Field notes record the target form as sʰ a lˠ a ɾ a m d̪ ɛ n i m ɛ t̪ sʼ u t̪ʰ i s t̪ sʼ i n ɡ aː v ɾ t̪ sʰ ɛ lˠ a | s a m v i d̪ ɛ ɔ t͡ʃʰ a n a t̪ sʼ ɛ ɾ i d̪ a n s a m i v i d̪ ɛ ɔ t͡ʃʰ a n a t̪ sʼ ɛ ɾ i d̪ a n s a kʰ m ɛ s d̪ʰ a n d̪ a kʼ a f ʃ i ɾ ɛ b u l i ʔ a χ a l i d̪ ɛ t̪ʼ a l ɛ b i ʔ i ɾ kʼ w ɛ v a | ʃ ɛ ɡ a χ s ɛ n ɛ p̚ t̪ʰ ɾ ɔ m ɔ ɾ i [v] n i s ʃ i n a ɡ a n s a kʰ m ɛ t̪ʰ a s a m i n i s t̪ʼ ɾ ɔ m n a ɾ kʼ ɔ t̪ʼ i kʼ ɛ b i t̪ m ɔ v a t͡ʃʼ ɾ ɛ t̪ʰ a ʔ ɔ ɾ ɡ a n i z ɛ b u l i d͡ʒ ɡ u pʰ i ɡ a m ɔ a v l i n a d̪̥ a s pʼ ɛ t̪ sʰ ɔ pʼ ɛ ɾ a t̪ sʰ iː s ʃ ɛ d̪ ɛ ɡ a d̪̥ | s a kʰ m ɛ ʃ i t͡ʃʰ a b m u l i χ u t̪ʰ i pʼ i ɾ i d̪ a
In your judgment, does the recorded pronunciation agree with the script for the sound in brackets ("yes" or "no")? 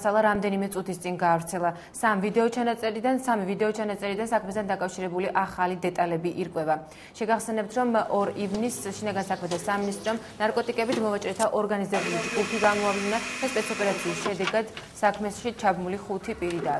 yes